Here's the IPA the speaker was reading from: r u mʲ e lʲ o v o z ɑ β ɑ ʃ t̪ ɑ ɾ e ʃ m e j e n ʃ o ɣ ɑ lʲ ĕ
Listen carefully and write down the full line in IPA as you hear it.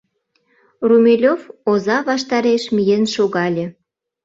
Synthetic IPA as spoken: r u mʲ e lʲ o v o z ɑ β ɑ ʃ t̪ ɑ ɾ e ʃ m i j e n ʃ o ɣ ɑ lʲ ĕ